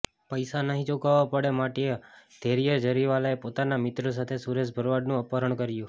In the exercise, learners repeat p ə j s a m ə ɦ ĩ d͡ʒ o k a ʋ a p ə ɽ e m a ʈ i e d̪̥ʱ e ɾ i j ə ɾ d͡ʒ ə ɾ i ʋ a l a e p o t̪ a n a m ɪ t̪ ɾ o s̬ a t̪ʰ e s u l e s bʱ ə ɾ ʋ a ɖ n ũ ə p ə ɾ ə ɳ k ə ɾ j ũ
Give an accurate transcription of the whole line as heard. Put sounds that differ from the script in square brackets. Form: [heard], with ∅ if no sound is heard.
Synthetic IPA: p ə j s a [n] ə ɦ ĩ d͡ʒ o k a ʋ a p ə ɽ e m a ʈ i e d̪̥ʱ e ɾ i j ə ɾ d͡ʒ ə ɾ i ʋ a l a e p o t̪ a n a m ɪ t̪ ɾ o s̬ a t̪ʰ e s u [ɾ] e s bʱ ə ɾ ʋ a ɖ n ũ ə p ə ɾ ə ɳ k ə ɾ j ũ